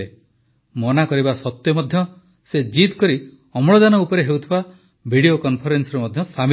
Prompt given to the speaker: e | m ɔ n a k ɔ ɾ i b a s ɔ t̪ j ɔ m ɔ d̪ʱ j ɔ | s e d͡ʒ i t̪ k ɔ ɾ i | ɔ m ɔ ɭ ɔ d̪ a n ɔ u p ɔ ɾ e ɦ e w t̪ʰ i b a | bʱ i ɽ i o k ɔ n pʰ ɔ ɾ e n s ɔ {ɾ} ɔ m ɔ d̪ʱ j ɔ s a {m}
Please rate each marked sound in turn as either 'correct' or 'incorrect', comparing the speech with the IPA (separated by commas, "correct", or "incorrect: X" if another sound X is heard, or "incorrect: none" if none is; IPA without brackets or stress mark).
correct, correct